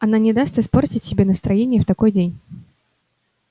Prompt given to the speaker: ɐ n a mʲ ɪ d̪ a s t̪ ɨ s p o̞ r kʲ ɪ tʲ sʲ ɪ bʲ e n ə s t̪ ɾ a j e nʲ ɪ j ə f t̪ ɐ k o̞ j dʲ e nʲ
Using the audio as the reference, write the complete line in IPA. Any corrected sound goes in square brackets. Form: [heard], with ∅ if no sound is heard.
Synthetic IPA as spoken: ɐ n a [nʲ] ɪ d̪ a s t̪ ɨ s p o̞ r [tʲ] ɪ tʲ sʲ ɪ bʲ e n ə s t̪ ɾ [ɐ] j e nʲ ɪ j ə f t̪ ɐ k o̞ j dʲ e nʲ